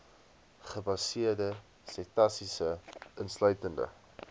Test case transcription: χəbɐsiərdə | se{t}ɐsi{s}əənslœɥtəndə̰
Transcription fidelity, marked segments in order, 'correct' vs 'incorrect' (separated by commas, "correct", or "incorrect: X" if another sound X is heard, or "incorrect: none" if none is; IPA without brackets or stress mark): correct, correct